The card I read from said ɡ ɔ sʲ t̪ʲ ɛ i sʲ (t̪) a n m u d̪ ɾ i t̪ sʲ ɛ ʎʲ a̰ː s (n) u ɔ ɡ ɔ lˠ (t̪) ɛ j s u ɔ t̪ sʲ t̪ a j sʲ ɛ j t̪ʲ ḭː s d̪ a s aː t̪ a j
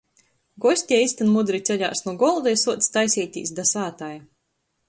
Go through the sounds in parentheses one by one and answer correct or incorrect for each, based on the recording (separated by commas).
correct, correct, incorrect